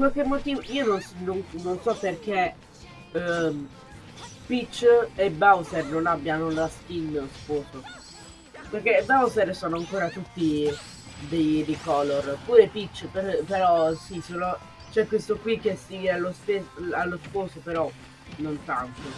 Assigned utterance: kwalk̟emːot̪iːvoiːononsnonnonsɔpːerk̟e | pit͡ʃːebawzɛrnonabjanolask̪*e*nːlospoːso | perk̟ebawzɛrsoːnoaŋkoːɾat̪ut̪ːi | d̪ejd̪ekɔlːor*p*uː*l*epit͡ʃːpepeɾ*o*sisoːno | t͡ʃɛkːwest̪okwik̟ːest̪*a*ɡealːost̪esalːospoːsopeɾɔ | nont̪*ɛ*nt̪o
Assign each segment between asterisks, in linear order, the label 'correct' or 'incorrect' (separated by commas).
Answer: incorrect, correct, incorrect, incorrect, incorrect, incorrect